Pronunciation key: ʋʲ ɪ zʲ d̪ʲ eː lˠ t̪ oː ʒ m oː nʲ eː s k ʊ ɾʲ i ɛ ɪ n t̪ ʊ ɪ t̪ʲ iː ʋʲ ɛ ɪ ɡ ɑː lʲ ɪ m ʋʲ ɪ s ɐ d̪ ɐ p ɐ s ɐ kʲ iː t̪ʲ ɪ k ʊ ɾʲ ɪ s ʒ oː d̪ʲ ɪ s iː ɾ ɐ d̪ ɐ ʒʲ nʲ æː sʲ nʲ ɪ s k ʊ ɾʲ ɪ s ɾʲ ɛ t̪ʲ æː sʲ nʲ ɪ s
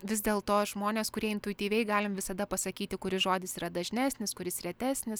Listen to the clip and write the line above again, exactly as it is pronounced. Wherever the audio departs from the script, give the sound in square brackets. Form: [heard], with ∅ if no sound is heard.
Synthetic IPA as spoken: ʋʲ ɪ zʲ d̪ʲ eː lˠ t̪ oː ʒ m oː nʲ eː s k ʊ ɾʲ i ɛ ɪ n t̪ ʊ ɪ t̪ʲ iː ʋʲ ɛ ɪ ɡ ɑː lʲ ɪ m ʋʲ ɪ s ɐ d̪ ɐ p ɐ s ɐ kʲ iː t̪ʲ ɪ k ʊ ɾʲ ɪ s ʒ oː d̪ʲ ɪ s iː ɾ ɐ d̪ ɐ ʒʲ nʲ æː sʲ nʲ ɪ s k ʊ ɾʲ ɪ s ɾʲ ɛ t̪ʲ æː sʲ nʲ ɪ s